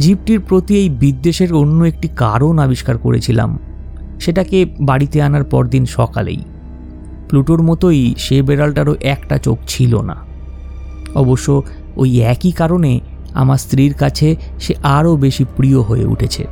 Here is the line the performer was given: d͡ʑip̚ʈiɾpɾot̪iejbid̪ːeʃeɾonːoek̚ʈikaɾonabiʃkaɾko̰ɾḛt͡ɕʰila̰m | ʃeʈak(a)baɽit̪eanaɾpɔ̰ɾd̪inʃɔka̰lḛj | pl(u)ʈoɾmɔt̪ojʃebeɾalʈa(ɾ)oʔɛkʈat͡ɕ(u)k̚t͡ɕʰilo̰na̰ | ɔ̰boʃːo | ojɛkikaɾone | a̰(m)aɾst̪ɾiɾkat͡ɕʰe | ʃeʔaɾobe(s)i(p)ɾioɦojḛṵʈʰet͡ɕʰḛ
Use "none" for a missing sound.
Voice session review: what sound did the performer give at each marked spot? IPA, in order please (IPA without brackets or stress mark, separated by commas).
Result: e, u, ɾ, o, m, ʃ, p